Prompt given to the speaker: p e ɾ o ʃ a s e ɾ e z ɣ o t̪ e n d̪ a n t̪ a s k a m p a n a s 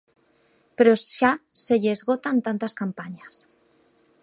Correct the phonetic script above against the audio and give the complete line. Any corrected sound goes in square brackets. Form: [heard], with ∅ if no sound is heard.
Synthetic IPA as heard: p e ɾ o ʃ a s e [ʎ] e z ɣ o t̪ [a] n [t̪] a n t̪ a s k a m p a [ɲ] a s